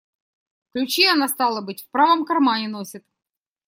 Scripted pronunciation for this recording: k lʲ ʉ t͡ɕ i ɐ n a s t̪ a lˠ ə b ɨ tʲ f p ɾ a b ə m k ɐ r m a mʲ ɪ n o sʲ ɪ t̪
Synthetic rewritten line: k lʲ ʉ t͡ɕ i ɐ n a s t̪ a lˠ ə b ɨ tʲ f p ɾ a v ə m k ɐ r m a nʲ ɪ n o sʲ ɪ t̪